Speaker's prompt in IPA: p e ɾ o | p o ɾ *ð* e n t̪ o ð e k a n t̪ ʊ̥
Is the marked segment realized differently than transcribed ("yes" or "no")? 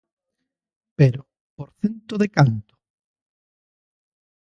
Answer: yes